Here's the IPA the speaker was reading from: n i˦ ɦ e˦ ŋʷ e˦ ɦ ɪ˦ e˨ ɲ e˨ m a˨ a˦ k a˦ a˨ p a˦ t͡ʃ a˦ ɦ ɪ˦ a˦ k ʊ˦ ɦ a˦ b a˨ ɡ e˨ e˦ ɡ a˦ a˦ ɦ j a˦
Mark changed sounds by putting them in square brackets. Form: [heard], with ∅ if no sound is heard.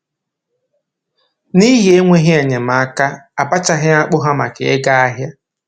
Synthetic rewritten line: n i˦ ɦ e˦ ŋʷ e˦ ɦ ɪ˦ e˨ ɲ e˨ m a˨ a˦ k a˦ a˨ p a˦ t͡ʃ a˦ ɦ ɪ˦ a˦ [k͡p] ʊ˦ ɦ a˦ [m] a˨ [k] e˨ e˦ ɡ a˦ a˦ ɦ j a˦